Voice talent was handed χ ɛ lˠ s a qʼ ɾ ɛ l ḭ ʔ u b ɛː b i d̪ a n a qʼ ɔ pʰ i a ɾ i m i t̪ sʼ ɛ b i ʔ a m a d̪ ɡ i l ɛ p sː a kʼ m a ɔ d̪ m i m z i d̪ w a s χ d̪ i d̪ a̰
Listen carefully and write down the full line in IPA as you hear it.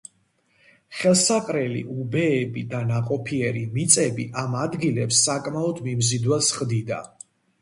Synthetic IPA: χ ɛ lˠ s a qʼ ɾ ɛ l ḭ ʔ u b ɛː b i d̪ a n a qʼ ɔ pʰ i ɛ ɾ i m i t̪ sʼ ɛ b i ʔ a m a d̪ ɡ i l ɛ p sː a kʼ m a ɔ d̪ m i m z i d̪ w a s χ d̪ i d̪ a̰